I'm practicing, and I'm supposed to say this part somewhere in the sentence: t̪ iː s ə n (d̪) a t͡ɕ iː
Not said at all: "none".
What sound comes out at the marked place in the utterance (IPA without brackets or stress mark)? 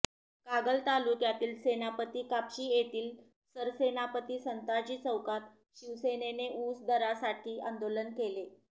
t̪